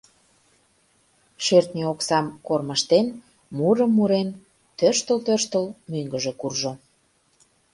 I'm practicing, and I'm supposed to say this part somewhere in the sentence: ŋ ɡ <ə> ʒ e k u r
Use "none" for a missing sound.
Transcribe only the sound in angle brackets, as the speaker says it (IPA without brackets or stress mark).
ə